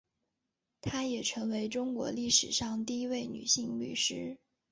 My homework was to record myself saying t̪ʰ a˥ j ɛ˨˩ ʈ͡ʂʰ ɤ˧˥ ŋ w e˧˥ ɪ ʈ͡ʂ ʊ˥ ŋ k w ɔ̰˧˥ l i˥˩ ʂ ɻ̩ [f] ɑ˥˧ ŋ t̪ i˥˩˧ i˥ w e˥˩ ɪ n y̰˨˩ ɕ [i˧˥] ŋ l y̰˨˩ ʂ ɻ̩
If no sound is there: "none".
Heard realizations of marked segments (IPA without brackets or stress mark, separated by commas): ʂ, i˥˧